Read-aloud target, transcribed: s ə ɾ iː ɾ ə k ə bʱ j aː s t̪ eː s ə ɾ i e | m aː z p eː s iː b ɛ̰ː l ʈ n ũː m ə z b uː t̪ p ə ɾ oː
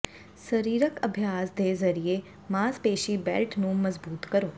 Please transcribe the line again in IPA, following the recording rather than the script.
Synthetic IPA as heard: s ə ɾ iː ɾ ə k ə bʱ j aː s d̪ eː z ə ɾ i e | m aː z p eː ʃ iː b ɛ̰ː l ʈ n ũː m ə z b uː t̪ k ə ɾ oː